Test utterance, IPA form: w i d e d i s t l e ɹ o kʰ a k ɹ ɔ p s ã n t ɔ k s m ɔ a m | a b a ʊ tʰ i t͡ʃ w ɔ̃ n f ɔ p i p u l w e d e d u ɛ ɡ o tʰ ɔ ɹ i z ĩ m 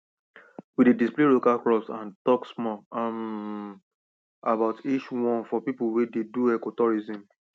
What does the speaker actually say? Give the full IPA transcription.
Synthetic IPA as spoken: w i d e d i s p l e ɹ o k a k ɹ ɔ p s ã n t ɔ k s m ɔ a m | a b a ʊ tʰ i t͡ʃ w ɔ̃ n f ɔ p i p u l w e d e d u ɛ k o t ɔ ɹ i z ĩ m